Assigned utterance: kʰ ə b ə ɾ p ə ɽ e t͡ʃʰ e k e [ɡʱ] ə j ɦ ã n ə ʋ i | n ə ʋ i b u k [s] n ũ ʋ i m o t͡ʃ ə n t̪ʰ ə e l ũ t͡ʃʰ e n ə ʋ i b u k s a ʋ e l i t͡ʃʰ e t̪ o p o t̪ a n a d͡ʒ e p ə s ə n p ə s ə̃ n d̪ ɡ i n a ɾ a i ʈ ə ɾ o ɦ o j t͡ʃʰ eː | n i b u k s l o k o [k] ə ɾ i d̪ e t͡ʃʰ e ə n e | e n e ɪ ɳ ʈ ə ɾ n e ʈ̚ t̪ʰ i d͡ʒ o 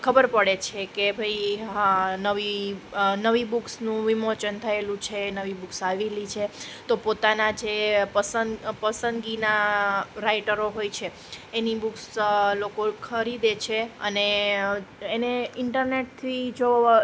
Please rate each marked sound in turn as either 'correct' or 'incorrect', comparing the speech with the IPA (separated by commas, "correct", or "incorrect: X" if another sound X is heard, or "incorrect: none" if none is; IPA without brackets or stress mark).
incorrect: bʱ, correct, incorrect: kʰ